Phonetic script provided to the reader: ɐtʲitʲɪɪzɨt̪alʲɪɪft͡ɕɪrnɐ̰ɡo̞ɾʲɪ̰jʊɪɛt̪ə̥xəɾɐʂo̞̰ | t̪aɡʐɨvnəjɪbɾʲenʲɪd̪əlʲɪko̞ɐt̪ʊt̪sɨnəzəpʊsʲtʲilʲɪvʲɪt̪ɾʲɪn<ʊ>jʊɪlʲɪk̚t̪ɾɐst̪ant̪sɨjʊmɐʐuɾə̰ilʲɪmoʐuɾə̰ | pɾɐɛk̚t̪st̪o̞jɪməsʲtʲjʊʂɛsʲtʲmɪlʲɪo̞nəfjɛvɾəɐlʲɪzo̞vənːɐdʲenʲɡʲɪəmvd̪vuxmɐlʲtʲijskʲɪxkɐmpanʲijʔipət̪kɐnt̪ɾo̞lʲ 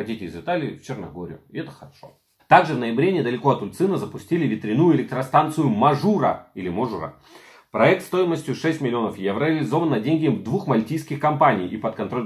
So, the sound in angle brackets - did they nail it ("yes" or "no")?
no